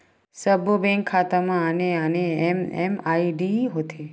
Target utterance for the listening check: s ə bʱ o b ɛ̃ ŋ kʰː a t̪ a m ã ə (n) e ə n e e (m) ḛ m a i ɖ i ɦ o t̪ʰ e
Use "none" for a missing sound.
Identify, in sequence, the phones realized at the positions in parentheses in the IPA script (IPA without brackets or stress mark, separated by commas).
n, m